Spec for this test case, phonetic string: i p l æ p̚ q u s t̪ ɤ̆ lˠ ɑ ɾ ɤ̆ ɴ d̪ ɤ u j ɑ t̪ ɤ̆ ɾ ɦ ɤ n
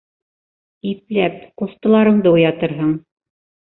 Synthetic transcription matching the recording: i p l æ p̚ q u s t̪ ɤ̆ lˠ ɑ ɾ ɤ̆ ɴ d̪ ɤ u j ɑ t̪ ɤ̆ ɾ ɦ ɤ ɴ